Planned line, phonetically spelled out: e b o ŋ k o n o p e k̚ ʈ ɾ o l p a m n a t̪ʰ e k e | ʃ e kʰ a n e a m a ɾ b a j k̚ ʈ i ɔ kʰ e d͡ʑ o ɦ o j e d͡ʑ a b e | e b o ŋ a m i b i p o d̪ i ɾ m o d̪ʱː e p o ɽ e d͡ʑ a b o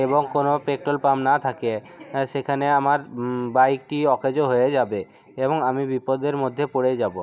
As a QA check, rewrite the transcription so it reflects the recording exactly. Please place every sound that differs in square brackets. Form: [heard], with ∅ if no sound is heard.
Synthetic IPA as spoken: e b o ŋ k o n o p e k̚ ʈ ɾ o l p a m n a t̪ʰ [a] k e | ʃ e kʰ a n e a m a ɾ b a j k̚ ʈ i ɔ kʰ e d͡ʑ o ɦ o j e d͡ʑ a b e | e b o ŋ a m i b i p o d̪ [e] ɾ m o d̪ʱː e p o ɽ e d͡ʑ a b o